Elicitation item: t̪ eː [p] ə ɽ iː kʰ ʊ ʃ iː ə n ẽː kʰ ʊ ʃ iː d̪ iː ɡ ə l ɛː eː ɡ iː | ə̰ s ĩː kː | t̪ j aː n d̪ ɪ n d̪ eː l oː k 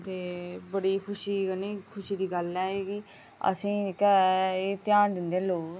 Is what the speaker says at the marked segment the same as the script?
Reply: no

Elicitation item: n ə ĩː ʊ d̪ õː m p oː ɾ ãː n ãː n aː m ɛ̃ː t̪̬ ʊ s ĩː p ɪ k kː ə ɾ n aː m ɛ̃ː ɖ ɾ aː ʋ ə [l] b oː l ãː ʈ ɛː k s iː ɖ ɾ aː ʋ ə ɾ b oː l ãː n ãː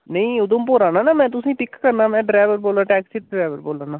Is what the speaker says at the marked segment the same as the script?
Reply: no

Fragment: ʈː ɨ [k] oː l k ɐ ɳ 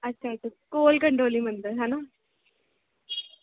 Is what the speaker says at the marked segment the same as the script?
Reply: yes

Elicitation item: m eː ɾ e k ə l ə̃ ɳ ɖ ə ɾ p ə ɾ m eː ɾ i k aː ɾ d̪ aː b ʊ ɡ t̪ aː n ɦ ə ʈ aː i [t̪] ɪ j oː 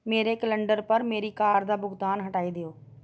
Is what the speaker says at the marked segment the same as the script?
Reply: no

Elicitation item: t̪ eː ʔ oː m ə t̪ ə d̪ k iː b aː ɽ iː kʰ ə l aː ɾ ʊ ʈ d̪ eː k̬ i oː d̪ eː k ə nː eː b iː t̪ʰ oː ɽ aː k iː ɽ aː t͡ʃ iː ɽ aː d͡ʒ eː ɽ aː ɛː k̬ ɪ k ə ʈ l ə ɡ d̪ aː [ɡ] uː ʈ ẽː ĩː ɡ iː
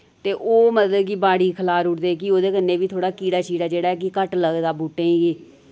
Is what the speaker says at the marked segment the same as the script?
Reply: no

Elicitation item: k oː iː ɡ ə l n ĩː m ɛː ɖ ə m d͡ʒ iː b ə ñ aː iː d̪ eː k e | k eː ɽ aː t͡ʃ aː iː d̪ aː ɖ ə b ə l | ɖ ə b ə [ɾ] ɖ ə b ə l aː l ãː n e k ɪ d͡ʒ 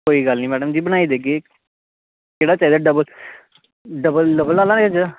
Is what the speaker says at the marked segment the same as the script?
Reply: no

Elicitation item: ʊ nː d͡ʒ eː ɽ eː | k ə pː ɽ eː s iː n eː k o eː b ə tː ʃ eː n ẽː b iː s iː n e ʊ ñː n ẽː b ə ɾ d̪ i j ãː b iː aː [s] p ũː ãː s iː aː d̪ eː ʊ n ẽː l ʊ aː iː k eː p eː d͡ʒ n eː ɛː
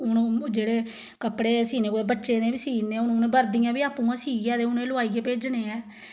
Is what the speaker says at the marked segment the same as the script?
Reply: no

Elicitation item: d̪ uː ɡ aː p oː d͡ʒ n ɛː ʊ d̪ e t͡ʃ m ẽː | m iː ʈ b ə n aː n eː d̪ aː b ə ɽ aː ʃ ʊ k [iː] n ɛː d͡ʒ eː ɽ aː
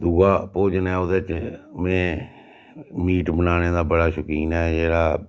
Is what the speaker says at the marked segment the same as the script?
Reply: yes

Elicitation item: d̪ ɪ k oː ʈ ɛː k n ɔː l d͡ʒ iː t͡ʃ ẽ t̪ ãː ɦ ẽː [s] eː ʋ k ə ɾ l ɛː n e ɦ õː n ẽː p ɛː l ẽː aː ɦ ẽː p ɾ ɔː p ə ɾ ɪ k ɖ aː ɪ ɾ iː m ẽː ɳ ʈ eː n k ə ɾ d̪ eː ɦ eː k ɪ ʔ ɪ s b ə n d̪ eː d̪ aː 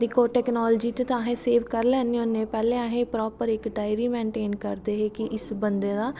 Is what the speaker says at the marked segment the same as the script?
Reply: yes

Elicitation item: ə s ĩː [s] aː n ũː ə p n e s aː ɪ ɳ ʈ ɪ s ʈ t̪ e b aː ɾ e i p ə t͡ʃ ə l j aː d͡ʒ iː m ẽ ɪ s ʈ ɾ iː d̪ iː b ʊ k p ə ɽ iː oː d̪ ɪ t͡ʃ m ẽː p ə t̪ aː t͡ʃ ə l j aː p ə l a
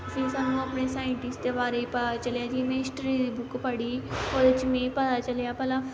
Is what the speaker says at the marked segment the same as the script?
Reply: yes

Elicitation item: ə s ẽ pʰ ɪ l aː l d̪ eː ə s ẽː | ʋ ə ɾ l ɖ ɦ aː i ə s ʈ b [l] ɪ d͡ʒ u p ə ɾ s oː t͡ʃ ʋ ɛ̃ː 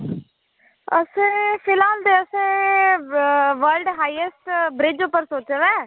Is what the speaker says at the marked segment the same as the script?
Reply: no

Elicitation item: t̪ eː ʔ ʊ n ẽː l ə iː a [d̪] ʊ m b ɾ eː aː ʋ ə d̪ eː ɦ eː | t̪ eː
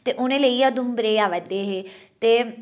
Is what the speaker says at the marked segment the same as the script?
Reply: yes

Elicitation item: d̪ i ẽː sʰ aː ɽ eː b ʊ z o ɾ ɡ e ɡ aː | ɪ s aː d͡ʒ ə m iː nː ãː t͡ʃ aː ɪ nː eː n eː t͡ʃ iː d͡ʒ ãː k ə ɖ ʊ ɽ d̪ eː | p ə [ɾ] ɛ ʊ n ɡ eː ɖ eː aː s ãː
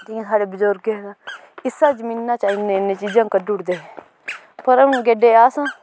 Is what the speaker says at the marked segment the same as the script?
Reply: yes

